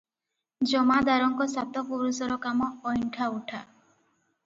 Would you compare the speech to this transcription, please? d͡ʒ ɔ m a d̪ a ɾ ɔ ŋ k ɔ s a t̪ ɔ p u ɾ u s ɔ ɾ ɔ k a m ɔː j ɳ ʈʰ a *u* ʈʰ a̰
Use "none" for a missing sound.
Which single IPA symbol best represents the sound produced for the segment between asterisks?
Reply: u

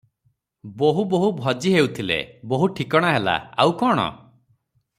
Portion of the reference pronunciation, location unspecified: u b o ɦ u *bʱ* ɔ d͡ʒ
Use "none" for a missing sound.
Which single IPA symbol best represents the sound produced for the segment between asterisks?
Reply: bʱ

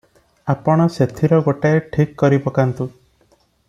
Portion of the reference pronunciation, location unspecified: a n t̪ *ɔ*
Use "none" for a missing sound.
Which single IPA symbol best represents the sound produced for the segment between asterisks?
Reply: u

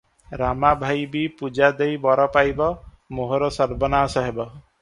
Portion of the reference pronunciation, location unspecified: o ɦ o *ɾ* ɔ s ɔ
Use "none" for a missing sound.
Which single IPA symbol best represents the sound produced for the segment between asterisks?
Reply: ɾ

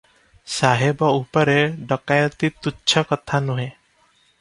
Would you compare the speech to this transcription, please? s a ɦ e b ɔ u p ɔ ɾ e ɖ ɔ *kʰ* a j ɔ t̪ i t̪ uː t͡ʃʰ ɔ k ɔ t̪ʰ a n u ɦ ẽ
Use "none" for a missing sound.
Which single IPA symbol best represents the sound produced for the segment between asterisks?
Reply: k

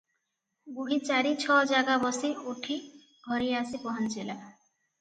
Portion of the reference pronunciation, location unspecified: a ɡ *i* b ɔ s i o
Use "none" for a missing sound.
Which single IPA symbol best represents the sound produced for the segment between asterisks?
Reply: a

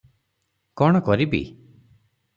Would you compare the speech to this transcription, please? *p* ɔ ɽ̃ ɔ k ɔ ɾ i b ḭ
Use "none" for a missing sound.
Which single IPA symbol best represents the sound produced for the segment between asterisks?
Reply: k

